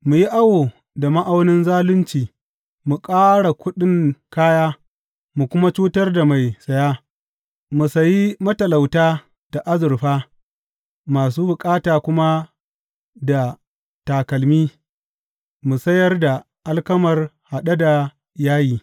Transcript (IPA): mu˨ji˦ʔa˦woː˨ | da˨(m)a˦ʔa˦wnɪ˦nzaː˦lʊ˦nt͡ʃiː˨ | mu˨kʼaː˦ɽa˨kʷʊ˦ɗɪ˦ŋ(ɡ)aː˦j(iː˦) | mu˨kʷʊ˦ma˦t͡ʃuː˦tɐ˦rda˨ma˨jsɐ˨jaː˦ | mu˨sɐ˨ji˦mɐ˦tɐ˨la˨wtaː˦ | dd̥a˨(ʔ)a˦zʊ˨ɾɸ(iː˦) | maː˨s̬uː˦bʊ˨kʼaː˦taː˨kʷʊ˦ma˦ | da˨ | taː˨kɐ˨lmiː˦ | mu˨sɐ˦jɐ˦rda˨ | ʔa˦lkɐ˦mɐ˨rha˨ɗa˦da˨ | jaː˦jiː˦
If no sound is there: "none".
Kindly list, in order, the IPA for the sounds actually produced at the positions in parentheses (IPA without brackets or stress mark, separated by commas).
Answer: m, k, aː˦, ʔ, aː˦